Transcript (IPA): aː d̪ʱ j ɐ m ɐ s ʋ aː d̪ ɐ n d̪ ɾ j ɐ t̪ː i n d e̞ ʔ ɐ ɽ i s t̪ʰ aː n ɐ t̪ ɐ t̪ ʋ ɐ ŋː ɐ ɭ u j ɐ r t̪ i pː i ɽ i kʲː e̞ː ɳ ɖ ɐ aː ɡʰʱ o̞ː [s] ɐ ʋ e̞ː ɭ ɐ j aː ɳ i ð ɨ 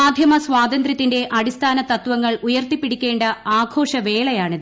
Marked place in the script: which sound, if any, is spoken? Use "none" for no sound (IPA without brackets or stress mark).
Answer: ʂ